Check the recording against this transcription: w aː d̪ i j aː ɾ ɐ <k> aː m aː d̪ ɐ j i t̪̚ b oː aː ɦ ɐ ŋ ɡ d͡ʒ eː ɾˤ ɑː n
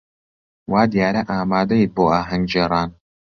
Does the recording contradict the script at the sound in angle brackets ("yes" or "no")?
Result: yes